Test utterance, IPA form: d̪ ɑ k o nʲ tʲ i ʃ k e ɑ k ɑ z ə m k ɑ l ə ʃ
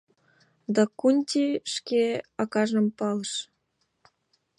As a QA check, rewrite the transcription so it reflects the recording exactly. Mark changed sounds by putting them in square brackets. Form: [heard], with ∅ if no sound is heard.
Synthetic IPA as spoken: d̪ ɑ k [u] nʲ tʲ i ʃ k e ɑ k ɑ [ʒ] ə m [p] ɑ l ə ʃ